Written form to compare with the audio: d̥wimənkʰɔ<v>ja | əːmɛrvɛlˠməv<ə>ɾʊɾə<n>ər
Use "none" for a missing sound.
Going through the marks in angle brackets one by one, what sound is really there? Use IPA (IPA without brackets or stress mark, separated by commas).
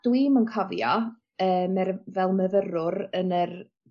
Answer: v, ə, n